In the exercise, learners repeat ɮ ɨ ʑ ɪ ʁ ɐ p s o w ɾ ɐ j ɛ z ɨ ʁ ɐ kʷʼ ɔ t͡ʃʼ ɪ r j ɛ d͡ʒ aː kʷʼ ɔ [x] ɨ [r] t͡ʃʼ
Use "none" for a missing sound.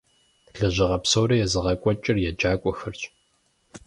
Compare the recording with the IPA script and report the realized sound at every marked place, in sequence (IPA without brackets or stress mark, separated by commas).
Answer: x, r